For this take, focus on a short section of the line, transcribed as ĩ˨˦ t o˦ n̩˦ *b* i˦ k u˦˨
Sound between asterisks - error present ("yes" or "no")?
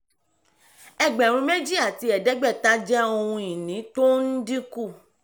yes